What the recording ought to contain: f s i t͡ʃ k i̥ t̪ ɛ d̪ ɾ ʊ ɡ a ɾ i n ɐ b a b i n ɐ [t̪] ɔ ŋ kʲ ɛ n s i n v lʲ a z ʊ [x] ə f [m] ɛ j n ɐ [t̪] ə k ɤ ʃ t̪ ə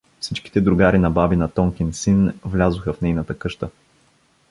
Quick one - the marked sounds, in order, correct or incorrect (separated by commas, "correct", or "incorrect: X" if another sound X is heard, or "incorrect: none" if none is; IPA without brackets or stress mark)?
correct, correct, incorrect: n, correct